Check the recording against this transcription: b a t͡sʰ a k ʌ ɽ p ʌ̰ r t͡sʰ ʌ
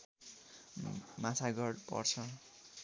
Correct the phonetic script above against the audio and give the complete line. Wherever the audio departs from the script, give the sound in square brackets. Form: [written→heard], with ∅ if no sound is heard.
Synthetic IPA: [b→m] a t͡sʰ a [k→ɡ] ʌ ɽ p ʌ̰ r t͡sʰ ʌ